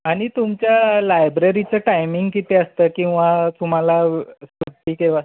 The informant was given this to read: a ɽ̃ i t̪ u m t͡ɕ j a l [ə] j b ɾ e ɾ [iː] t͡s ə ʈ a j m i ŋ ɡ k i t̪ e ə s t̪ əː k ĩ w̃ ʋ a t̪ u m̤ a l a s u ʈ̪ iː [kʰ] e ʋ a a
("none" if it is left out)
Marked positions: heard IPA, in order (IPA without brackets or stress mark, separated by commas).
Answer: a, i, k